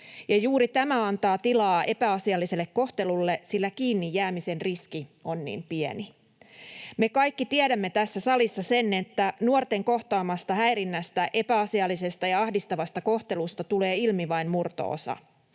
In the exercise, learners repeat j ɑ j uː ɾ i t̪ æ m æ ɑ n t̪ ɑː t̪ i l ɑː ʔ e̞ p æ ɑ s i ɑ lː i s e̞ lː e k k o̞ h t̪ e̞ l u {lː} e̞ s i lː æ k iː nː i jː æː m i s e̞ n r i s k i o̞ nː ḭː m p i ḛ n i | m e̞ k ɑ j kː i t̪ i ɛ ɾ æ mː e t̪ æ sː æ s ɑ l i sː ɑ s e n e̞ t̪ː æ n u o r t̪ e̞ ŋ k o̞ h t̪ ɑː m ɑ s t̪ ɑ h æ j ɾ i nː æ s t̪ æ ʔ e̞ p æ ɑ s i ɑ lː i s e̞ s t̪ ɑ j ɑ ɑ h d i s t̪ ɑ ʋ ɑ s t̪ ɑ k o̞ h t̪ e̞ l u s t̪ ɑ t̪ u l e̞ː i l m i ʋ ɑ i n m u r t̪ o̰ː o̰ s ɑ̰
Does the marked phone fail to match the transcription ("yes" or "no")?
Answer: no